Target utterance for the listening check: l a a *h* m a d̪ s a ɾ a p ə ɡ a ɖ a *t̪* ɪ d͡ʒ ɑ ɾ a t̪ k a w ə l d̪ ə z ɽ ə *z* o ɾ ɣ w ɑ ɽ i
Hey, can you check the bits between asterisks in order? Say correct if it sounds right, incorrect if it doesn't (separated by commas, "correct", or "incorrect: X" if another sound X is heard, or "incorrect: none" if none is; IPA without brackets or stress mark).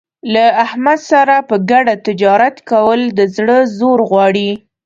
correct, correct, correct